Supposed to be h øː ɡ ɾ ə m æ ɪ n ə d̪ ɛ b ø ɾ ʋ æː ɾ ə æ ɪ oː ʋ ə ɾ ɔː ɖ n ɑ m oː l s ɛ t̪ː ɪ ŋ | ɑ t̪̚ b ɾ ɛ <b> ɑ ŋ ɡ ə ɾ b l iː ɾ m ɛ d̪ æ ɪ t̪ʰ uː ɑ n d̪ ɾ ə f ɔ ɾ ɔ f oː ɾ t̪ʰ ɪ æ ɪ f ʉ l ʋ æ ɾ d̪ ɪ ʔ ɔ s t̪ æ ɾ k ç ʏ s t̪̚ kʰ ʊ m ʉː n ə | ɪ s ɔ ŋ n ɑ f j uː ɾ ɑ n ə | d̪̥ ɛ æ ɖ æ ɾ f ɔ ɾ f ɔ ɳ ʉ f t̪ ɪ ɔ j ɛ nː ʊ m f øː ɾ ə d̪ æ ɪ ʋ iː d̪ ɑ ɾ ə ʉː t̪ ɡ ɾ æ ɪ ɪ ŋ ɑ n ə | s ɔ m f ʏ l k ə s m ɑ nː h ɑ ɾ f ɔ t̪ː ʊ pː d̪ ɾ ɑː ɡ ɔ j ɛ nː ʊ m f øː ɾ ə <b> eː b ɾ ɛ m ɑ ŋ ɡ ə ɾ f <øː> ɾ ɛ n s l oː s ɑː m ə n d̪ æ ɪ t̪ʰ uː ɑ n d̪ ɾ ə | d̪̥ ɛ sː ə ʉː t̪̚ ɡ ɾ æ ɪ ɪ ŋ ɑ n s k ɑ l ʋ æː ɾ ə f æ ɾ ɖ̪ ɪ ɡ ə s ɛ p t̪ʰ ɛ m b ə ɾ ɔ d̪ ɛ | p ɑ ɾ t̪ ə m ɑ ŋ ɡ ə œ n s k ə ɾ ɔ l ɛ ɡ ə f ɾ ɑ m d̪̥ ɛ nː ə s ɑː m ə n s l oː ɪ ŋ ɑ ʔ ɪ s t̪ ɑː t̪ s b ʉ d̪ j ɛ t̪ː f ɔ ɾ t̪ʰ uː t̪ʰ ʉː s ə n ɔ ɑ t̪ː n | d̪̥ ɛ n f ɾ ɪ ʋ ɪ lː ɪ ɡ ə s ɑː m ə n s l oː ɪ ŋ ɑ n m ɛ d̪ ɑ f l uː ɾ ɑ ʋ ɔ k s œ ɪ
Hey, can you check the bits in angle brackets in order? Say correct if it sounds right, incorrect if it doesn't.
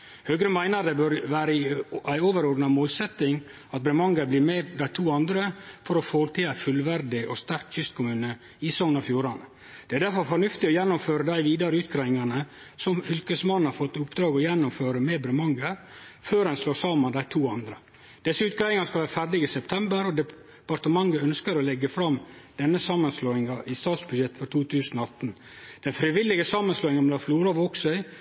incorrect: m, incorrect: m, correct

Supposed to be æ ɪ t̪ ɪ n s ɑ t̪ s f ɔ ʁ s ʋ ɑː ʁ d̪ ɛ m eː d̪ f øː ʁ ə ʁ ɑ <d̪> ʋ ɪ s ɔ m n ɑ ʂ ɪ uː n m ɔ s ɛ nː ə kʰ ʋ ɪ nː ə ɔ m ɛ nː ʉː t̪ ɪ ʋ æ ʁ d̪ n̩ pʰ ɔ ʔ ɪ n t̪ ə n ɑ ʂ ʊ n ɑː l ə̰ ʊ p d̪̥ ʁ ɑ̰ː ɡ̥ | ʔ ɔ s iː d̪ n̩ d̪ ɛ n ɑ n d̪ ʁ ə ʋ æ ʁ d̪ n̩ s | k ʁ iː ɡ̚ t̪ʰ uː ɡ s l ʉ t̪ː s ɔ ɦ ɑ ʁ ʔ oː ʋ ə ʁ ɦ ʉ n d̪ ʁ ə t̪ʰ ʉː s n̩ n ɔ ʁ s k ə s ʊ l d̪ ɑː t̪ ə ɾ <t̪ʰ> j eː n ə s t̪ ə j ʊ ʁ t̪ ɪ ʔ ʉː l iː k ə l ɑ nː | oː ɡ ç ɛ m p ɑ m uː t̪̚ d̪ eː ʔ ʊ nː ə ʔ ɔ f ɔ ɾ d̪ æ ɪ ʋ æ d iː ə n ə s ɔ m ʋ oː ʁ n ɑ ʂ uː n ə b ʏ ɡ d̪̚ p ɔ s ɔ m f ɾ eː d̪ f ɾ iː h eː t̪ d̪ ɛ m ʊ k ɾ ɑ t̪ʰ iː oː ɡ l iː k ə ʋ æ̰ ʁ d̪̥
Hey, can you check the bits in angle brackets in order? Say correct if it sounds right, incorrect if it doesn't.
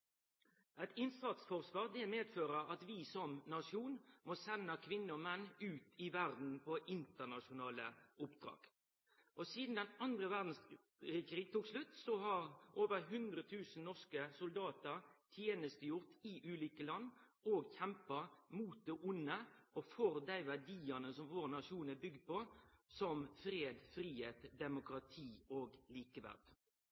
incorrect: t̪, correct

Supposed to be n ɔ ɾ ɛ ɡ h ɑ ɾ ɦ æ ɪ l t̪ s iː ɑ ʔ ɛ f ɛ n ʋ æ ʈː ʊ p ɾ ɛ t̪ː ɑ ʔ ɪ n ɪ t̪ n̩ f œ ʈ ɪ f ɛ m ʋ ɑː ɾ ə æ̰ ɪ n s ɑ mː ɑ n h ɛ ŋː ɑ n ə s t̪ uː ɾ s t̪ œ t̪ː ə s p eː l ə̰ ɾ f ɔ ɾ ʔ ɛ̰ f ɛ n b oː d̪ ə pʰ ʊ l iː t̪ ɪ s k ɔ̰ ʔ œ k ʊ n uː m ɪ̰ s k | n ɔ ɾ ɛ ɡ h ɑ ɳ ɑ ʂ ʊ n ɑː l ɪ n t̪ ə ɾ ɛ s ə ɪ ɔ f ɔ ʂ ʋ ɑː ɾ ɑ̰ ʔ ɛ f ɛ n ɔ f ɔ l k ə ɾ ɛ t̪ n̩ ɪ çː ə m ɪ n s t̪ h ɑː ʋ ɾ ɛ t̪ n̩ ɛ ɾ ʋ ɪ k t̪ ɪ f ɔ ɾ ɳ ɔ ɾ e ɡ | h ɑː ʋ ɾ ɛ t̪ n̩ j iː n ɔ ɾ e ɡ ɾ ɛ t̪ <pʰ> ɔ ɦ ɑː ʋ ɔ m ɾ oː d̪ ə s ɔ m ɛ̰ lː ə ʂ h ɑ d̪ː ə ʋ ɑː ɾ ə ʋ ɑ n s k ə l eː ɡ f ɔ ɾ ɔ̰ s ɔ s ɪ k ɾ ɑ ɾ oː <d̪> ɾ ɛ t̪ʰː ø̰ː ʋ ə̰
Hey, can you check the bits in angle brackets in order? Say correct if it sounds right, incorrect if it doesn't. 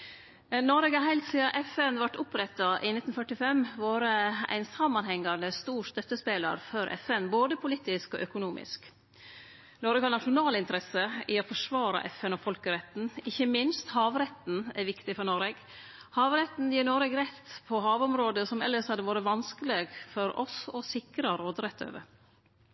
correct, correct

